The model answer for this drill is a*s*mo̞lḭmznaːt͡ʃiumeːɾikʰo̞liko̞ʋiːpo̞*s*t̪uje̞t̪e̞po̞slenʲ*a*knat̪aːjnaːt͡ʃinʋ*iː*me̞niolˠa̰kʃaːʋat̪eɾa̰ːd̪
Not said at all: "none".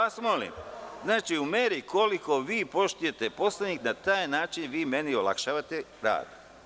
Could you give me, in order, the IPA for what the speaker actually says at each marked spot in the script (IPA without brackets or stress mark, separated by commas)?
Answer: s, ʃ, i, iː